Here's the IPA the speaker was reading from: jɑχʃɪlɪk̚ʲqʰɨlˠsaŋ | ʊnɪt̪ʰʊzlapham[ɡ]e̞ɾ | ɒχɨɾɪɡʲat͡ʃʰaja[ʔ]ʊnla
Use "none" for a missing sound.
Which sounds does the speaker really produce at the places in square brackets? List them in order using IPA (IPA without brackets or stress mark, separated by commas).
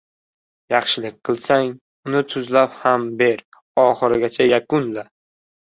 b, k